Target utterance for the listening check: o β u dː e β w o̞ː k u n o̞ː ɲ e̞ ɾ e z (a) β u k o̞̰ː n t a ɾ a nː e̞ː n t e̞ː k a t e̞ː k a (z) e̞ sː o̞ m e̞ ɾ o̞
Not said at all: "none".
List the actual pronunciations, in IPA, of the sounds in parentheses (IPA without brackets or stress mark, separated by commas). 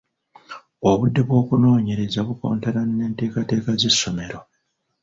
a, z